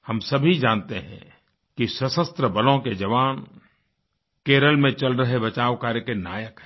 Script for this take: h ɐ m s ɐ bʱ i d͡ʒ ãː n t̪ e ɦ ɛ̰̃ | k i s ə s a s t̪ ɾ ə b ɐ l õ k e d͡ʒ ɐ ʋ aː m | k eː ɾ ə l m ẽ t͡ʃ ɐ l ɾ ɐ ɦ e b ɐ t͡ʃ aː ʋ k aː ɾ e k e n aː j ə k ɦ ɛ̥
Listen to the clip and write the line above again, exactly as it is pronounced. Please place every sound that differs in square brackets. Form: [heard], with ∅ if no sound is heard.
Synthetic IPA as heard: h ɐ m s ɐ bʱ i d͡ʒ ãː n t̪ e ɦ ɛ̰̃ | k i s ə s [ə] s t̪ ɾ ə b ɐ l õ k e d͡ʒ ɐ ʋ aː [n] | k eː ɾ ə l m ẽ t͡ʃ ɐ l ɾ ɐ ɦ e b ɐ t͡ʃ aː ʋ k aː ɾ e k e n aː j ə k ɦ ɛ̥